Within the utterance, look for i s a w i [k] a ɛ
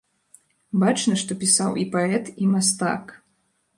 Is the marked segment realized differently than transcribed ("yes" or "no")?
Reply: yes